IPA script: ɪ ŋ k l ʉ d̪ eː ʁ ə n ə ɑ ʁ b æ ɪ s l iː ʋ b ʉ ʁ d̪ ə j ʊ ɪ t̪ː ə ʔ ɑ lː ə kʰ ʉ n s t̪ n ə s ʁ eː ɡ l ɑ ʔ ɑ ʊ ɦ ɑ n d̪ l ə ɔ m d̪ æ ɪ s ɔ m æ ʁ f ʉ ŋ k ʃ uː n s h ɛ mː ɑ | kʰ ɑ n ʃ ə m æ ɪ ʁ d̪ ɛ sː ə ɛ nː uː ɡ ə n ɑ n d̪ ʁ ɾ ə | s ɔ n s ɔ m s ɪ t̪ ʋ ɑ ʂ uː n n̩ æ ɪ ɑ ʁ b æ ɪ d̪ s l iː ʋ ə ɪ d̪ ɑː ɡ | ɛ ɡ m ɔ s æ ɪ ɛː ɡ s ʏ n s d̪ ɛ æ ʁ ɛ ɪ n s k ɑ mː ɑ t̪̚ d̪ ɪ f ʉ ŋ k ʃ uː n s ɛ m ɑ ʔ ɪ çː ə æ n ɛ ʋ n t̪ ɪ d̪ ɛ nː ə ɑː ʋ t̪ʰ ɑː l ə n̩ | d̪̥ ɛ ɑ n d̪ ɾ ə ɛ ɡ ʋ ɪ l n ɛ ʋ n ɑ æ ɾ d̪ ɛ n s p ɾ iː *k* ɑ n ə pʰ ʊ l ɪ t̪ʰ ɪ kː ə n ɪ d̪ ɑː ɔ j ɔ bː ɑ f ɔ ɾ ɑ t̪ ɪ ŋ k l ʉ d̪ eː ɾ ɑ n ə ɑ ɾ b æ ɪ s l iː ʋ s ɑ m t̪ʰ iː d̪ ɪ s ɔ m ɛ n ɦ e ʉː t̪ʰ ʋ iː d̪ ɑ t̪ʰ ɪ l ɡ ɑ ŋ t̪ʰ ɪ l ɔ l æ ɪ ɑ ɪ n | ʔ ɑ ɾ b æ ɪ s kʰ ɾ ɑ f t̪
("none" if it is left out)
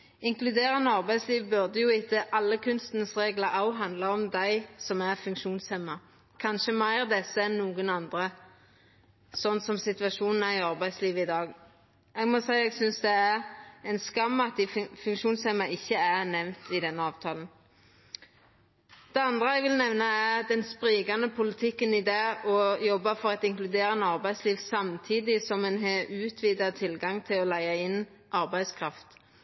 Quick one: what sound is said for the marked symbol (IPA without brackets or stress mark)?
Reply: ɡ